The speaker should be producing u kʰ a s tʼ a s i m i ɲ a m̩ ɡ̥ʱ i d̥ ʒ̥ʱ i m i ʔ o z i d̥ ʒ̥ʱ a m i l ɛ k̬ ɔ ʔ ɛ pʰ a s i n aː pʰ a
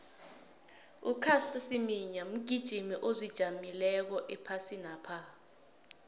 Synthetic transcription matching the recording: u kʰ a s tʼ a s i m i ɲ a m̩ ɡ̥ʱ i d̥ ʒ̥ʱ i m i ʔ o z i d̥ ʒ̥ʱ a m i l ɛ k̬ ɔ ʔ ɛ pʰ a s i n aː pʰ a